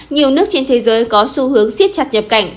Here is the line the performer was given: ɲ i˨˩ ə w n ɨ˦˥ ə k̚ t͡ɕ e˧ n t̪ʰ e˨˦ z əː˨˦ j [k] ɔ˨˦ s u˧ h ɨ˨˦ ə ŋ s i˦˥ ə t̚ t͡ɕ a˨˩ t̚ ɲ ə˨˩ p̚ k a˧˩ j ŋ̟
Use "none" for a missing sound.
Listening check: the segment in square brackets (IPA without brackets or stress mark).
k